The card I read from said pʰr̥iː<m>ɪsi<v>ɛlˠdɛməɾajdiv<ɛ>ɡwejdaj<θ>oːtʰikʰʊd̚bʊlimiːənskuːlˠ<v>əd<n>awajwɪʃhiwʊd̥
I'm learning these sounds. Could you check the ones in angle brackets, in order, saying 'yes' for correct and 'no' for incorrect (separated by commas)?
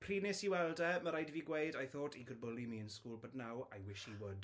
no, no, no, yes, no, yes